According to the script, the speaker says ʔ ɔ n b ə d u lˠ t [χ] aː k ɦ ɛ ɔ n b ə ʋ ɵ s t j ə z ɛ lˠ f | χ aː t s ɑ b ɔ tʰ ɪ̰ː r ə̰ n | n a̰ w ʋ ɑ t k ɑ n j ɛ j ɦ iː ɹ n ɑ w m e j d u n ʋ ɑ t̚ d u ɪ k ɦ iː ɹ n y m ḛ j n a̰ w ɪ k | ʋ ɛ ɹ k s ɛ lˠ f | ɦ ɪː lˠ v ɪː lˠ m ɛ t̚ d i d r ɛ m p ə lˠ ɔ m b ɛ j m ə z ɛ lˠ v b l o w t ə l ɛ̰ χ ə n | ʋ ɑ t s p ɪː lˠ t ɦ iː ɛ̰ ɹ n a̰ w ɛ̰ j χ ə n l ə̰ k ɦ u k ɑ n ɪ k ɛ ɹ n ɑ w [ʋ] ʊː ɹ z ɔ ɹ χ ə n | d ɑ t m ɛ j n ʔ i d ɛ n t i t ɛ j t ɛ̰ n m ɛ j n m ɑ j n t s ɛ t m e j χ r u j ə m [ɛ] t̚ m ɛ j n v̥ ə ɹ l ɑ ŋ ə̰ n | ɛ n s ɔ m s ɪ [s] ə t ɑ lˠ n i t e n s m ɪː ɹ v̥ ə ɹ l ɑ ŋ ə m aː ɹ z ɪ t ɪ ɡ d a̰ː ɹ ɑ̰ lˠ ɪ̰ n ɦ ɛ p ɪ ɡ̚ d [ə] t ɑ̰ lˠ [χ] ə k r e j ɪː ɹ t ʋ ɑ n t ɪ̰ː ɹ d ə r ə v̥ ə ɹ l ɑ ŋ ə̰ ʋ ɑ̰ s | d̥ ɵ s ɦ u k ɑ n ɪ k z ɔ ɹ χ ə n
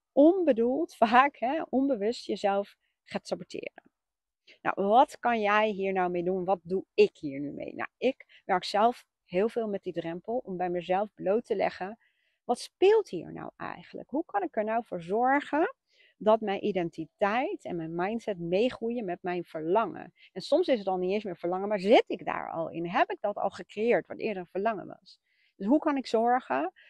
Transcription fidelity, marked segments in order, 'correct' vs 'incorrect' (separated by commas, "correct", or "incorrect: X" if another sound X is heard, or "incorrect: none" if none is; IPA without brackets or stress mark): incorrect: f, incorrect: v, correct, correct, incorrect: ɑ, correct